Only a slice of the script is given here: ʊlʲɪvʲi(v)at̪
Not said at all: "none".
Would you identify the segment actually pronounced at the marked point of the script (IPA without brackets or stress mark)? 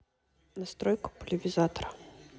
z